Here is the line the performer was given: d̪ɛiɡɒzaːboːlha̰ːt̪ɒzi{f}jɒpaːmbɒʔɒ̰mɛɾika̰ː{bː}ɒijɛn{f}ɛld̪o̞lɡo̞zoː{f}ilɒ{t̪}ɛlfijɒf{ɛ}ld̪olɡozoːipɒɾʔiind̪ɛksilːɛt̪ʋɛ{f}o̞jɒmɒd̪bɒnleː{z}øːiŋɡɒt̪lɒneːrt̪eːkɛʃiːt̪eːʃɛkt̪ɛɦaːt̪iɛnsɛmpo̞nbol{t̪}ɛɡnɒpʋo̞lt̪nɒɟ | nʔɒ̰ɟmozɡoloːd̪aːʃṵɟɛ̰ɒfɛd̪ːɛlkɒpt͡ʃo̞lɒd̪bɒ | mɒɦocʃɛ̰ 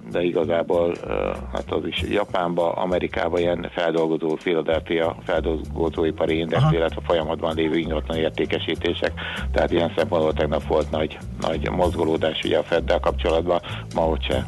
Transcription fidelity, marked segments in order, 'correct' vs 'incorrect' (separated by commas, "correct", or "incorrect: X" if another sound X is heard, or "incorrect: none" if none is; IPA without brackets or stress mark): incorrect: ʃ, incorrect: b, correct, correct, incorrect: d̪, correct, correct, incorrect: v, correct